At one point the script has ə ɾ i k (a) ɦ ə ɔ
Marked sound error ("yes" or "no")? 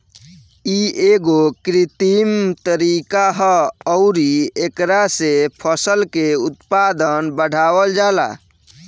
no